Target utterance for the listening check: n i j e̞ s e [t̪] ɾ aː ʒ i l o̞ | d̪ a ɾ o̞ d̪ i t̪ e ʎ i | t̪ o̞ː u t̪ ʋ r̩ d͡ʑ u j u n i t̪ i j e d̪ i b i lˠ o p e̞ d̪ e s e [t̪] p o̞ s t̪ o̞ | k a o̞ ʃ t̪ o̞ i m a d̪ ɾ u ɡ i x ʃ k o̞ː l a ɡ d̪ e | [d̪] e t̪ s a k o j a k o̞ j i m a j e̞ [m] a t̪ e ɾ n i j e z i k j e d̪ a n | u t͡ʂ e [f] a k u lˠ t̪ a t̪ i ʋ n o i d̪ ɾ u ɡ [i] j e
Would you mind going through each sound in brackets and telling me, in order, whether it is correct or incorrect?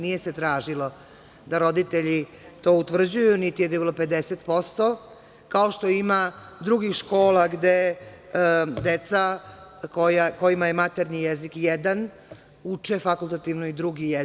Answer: correct, correct, correct, correct, correct, correct

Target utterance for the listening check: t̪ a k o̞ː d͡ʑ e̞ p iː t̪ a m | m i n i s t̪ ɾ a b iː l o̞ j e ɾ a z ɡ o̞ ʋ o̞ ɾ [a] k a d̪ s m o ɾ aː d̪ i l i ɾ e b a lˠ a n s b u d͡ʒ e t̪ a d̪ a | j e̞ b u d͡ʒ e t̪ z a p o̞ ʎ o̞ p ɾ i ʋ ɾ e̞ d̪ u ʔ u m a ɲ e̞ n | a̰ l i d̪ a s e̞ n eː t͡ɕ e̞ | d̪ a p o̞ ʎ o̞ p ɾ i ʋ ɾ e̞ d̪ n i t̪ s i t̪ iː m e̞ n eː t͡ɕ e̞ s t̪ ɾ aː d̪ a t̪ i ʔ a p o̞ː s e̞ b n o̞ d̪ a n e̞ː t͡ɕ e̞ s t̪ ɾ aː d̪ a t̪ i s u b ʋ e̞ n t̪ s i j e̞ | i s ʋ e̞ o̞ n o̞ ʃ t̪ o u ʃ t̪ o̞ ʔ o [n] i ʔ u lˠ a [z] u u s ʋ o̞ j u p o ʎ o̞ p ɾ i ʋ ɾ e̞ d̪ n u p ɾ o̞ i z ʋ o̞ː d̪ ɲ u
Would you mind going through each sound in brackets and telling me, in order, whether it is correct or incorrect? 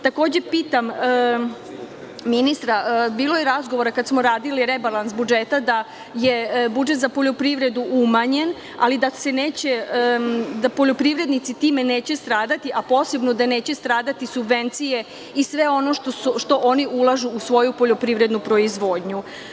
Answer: correct, correct, incorrect: ʒ

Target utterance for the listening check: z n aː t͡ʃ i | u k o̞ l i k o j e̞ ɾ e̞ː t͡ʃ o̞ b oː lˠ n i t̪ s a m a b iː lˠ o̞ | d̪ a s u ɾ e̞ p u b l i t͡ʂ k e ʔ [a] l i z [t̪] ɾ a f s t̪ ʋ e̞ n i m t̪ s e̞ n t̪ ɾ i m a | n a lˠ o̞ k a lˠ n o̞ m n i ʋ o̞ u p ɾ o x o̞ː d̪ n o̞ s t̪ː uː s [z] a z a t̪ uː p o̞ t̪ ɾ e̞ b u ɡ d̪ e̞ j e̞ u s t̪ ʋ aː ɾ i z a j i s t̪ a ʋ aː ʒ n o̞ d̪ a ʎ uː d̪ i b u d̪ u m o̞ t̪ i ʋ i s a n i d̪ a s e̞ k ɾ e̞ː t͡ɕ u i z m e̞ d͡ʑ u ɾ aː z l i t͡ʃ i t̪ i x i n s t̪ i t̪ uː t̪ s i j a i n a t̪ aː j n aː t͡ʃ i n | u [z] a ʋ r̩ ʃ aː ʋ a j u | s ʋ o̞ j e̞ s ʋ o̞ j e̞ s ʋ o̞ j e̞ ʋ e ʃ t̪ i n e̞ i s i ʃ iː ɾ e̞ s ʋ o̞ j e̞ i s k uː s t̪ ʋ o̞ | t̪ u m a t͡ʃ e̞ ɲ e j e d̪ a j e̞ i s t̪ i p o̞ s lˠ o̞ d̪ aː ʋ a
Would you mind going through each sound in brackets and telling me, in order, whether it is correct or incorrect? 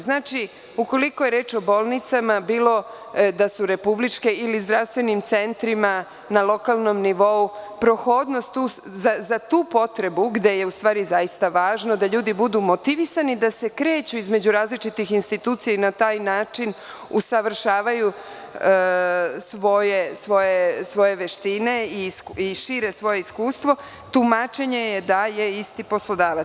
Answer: incorrect: i, incorrect: d̪, correct, incorrect: s

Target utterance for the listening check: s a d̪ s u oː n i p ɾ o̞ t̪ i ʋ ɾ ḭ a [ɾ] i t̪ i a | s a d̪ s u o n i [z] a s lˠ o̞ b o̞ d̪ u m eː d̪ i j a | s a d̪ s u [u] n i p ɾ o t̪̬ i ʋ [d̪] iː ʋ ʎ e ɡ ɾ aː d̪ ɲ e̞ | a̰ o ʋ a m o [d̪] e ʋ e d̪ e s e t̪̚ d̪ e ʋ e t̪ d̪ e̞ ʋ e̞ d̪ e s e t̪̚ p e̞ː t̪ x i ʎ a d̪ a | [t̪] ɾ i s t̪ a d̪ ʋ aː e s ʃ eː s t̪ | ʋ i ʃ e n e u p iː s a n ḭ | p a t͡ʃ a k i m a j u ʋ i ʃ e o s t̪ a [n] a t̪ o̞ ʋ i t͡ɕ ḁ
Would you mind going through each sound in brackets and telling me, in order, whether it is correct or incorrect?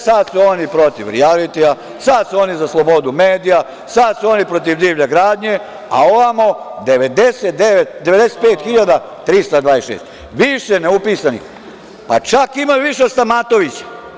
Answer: incorrect: l, correct, incorrect: o, correct, correct, correct, incorrect: m

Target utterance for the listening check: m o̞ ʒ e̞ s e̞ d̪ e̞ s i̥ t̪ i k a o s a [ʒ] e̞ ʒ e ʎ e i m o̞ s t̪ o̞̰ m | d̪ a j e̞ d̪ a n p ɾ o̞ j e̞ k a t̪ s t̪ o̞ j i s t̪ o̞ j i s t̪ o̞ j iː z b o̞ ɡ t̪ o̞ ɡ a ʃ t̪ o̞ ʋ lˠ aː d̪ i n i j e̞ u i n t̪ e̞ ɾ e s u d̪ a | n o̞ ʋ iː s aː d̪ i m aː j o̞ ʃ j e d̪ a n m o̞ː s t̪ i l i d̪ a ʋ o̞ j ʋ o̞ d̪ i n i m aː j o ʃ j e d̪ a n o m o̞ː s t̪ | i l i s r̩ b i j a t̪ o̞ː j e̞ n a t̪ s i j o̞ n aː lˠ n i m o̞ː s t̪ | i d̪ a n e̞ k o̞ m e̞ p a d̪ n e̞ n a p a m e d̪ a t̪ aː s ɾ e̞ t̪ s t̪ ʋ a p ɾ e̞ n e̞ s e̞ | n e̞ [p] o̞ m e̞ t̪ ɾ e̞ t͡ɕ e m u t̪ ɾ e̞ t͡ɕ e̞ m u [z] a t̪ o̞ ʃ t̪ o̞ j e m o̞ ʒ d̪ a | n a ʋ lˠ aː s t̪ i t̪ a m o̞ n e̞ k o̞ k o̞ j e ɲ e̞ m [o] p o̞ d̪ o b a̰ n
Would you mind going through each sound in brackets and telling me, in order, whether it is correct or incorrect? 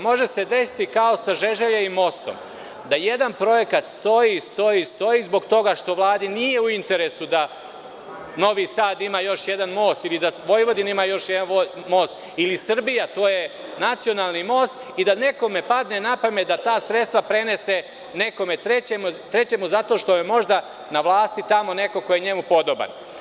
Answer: correct, incorrect: k, correct, incorrect: u

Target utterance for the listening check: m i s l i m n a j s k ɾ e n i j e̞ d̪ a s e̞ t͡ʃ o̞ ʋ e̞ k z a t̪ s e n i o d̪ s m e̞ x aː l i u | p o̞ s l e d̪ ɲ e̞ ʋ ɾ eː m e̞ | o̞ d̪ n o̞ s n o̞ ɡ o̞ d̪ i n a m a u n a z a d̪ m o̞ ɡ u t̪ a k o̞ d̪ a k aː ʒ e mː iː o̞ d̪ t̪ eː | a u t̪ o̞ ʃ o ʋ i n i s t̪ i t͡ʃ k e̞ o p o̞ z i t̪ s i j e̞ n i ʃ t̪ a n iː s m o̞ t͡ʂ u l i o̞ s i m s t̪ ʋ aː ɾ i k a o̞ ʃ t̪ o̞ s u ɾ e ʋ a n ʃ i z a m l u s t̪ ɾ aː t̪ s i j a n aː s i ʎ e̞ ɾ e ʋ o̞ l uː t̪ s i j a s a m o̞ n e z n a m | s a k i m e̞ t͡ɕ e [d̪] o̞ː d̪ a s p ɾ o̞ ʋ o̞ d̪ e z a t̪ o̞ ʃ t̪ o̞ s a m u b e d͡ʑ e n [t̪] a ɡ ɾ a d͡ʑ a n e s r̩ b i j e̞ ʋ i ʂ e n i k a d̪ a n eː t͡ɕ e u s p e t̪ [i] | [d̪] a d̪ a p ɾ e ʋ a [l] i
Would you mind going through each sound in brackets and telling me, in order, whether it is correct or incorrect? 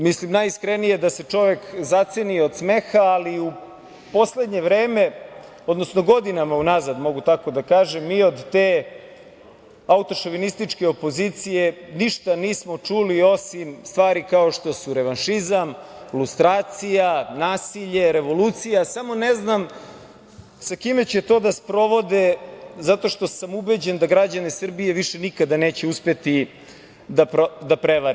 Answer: incorrect: t̪, incorrect: d̪, correct, correct, incorrect: ɾ

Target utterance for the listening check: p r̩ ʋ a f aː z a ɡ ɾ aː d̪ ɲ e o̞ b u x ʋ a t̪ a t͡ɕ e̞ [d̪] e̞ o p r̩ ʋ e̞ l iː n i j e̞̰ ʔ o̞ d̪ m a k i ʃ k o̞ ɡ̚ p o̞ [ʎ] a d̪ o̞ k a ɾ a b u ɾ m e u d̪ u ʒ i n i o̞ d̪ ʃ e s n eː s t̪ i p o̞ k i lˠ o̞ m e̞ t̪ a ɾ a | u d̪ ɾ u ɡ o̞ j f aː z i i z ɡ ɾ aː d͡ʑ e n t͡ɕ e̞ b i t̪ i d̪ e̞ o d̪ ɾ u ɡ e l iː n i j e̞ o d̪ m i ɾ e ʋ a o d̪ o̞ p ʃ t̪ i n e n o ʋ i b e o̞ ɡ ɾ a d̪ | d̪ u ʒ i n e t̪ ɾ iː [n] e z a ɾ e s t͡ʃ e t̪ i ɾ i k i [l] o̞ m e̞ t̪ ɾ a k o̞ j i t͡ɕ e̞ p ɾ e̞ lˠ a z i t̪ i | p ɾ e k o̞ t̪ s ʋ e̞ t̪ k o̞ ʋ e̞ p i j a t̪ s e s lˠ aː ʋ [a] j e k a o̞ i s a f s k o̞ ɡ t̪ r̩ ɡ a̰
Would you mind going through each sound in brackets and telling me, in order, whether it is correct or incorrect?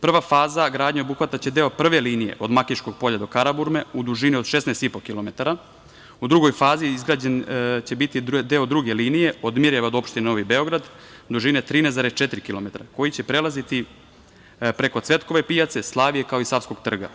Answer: correct, correct, correct, correct, incorrect: i

